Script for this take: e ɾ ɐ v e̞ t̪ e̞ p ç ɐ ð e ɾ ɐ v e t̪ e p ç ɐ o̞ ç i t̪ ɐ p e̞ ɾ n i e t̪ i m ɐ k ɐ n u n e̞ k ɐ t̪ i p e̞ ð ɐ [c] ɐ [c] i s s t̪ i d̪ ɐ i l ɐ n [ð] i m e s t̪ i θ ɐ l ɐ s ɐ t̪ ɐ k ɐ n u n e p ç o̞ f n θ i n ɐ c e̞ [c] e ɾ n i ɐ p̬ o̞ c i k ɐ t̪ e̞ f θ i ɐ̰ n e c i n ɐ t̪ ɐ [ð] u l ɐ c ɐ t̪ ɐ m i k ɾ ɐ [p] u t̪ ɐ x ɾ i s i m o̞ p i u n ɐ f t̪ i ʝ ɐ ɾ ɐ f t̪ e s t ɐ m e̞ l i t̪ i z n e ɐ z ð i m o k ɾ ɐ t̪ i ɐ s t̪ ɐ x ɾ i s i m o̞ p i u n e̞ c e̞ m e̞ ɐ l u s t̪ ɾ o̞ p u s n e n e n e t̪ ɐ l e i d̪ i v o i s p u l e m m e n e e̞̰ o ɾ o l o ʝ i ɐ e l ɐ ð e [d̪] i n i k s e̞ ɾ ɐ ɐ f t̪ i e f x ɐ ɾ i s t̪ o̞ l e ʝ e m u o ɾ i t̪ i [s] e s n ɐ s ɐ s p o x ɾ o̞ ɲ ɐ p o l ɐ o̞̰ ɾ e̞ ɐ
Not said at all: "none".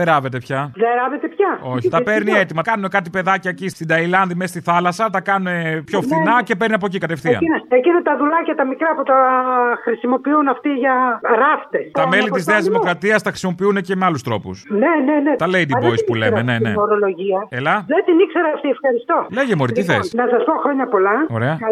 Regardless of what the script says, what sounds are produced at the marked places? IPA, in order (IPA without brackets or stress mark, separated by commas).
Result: c, c, ð, p, ð, p, t̪, θ